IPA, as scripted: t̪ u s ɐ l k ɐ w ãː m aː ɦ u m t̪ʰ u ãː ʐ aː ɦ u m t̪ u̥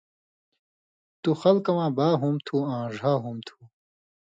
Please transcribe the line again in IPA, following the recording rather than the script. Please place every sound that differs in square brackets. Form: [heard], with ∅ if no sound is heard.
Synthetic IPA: t̪ u [x] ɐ l k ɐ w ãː [b] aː ɦ u m t̪ʰ u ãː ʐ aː ɦ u m [t̪ʰ] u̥

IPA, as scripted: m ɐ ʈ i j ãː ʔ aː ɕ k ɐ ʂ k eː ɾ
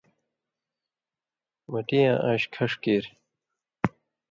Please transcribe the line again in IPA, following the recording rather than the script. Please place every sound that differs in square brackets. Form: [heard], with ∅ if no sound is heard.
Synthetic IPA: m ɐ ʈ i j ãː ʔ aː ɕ [kʰ] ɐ ʂ k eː ɾ

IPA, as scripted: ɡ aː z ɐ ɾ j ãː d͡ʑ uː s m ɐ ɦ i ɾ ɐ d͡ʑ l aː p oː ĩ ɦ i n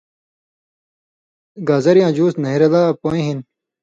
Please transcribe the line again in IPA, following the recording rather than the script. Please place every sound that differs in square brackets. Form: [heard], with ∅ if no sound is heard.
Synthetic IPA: ɡ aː z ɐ ɾ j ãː d͡ʑ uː s [n] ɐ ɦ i ɾ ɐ [∅] l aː p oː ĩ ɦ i n

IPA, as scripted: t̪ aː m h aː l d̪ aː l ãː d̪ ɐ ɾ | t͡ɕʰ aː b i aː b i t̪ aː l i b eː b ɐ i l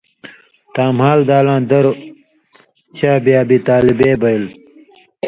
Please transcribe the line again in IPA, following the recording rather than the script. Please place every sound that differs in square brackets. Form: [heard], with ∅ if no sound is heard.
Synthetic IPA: t̪ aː m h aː l d̪ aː l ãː d̪ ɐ ɾ | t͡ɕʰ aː b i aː b i t̪ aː l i b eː b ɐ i l

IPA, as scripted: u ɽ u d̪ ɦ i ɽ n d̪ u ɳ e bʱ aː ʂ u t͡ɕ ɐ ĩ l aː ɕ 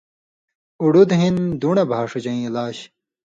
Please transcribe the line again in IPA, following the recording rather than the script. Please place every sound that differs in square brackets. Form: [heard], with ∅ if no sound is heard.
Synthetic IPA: u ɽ u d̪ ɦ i [∅] n d̪ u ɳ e bʱ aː ʂ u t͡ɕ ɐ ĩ l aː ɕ

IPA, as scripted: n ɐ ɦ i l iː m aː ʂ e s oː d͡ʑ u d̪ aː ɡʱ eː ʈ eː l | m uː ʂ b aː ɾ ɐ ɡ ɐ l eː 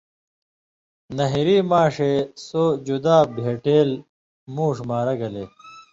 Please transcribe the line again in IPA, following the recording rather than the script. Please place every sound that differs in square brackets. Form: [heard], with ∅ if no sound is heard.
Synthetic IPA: n ɐ ɦ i [ɾ] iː m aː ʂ e s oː d͡ʑ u d̪ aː [bʱ] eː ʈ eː l | m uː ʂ [m] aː ɾ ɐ ɡ ɐ l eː

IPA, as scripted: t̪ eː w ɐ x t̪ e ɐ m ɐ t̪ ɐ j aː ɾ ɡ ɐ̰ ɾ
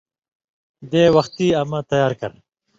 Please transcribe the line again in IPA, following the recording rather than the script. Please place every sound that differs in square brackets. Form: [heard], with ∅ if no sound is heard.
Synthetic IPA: [d̪] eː w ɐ x t̪ [i] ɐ m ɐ t̪ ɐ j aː ɾ [k] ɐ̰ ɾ

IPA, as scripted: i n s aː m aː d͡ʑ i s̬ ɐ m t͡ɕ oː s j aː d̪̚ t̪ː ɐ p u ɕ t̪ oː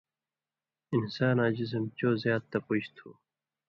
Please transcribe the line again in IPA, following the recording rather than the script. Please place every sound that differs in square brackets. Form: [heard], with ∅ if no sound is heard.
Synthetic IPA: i n s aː [n] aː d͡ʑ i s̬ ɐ m t͡ɕ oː [z] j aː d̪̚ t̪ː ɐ p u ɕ [t̪ʰ] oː

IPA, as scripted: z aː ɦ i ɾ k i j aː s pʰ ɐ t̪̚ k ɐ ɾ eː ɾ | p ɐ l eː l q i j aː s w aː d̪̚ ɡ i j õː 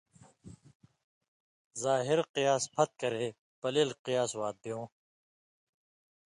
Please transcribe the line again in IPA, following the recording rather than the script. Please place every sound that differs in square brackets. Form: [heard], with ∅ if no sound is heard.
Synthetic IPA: z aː ɦ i ɾ [q] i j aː s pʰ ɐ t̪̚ k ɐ ɾ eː [∅] | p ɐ l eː l q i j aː s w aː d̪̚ [b] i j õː

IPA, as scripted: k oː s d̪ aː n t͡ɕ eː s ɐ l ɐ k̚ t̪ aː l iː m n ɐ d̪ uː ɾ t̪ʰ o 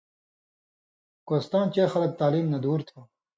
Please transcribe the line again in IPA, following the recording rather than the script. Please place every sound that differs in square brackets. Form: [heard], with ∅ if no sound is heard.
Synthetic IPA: k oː s [t̪] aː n t͡ɕ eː [x] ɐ l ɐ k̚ t̪ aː l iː m n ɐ d̪ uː ɾ t̪ʰ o

